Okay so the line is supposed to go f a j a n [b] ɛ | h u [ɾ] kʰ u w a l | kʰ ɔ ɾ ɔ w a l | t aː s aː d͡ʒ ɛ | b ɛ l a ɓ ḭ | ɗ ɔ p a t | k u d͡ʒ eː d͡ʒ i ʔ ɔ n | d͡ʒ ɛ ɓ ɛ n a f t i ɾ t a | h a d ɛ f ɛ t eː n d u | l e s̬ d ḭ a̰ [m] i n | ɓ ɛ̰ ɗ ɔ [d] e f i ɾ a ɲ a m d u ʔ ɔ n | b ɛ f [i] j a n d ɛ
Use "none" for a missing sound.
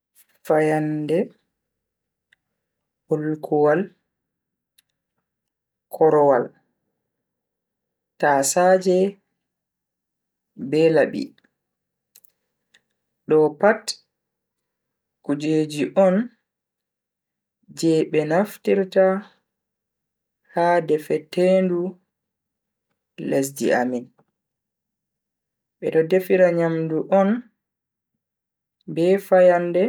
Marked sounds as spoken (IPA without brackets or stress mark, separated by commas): d, l, m, d, a